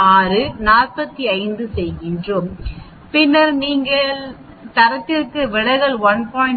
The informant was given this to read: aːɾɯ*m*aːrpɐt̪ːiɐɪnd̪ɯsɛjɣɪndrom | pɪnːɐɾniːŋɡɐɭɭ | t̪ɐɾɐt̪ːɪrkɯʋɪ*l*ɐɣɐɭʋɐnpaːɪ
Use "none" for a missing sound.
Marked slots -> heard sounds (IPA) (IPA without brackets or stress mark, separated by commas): n, ɽ